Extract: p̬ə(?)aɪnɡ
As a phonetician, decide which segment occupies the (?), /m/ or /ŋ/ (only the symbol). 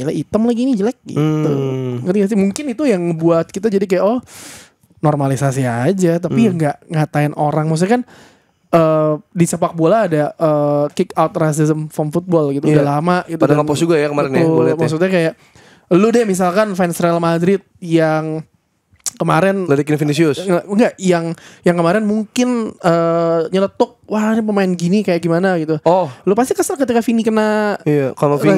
m